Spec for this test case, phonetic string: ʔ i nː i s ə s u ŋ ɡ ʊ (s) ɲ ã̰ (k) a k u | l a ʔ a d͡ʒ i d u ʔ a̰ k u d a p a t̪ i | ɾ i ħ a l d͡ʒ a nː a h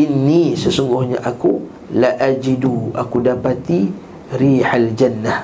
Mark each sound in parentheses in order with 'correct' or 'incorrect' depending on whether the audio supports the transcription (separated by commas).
incorrect, incorrect